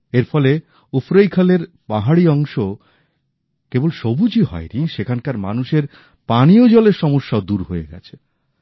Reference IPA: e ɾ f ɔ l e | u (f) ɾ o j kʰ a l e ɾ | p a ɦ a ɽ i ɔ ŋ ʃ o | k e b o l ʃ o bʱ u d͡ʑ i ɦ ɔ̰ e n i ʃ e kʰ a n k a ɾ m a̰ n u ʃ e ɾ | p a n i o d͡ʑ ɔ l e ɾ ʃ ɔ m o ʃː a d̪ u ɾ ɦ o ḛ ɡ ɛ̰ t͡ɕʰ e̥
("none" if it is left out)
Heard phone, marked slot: f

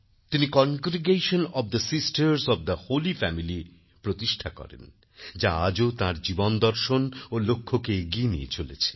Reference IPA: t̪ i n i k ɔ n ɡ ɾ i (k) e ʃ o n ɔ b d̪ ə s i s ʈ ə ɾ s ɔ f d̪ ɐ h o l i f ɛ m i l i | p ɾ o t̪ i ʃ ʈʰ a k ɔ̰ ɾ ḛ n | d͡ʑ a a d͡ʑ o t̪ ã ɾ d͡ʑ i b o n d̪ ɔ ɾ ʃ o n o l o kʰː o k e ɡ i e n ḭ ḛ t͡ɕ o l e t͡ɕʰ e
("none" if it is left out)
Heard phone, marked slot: ɡ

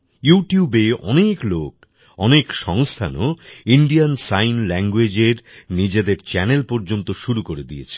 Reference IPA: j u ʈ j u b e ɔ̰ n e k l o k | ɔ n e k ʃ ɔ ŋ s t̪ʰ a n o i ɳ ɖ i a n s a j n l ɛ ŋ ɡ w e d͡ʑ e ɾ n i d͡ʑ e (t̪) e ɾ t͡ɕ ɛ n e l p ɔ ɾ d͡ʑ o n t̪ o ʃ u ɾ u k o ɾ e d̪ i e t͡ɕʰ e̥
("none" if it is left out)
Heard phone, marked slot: d̪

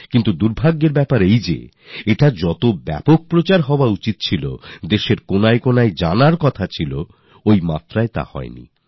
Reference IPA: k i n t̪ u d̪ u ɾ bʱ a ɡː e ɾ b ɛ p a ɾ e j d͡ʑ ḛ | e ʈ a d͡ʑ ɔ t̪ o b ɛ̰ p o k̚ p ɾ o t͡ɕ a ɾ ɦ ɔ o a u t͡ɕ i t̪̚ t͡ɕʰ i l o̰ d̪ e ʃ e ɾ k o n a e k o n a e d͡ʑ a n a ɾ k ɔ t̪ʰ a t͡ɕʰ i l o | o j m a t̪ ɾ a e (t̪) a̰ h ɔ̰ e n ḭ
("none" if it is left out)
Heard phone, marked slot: t̪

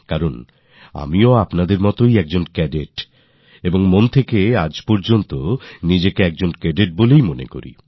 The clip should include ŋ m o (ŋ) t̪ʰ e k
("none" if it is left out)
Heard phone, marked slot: n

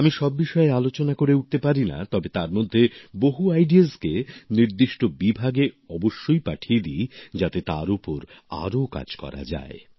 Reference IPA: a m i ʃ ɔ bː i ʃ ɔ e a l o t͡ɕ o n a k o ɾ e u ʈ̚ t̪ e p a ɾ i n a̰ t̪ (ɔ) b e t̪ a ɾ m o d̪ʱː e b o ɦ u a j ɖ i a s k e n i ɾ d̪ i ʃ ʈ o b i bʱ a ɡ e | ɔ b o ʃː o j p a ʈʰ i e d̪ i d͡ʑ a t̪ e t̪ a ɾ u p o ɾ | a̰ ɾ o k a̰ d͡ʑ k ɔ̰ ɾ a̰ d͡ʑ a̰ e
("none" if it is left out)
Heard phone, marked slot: ɔ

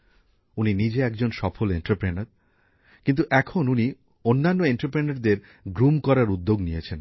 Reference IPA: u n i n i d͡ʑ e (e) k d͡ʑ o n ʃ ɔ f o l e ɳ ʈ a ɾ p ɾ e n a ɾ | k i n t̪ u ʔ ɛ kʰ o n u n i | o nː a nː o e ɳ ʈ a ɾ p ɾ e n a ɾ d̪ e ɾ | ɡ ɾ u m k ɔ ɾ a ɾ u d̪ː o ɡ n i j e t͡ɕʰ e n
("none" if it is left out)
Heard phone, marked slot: ɛ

